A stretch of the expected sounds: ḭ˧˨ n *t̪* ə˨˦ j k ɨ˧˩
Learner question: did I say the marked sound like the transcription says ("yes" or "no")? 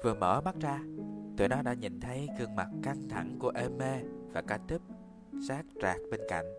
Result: no